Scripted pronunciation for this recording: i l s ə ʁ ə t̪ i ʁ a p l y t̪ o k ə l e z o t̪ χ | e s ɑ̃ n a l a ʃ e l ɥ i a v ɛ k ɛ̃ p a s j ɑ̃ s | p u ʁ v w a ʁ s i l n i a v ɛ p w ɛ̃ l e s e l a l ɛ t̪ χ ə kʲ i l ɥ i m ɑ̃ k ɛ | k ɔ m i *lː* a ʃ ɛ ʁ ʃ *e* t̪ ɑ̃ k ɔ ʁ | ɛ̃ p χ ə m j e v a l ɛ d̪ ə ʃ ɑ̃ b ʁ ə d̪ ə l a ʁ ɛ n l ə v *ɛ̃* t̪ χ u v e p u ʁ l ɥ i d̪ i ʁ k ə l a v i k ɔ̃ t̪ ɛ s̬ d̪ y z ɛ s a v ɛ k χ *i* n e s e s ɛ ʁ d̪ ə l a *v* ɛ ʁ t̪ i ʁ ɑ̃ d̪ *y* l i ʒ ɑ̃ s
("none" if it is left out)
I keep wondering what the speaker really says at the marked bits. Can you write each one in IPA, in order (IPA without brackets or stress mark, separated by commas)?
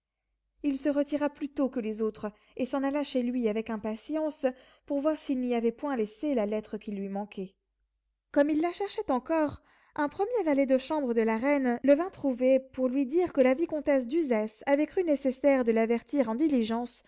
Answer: lː, ɛ, ɛ̃, y, v, i